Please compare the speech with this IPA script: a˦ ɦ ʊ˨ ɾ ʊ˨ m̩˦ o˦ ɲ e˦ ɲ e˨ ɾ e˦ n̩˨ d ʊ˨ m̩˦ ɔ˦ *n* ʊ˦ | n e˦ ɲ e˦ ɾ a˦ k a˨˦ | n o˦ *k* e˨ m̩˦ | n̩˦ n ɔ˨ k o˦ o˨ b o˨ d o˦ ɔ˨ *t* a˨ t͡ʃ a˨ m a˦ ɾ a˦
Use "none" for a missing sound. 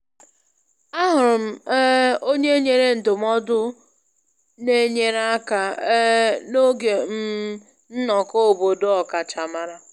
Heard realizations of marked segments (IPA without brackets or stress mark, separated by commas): d, ɡ, k